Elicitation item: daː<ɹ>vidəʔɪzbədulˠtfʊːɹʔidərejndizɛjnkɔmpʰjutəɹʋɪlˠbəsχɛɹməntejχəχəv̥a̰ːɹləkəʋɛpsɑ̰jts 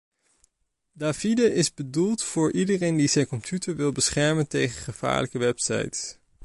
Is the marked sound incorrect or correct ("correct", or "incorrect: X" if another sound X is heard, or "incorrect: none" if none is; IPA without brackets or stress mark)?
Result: incorrect: none